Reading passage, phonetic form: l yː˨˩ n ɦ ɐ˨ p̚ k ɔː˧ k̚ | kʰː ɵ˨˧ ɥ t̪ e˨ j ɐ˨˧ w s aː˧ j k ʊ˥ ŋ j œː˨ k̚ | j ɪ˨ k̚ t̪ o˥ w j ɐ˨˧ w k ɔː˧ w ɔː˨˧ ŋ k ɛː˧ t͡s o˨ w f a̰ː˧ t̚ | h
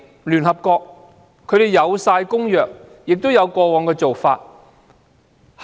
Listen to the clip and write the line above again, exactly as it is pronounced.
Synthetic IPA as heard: l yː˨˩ n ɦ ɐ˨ p̚ k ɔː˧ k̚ | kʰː ɵ˨˧ ɥ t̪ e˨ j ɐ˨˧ w s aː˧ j k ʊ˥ ŋ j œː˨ k̚ | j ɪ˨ k̚ t̪ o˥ w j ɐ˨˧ w k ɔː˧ w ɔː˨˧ ŋ k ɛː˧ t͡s o˨ w f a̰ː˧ t̚ | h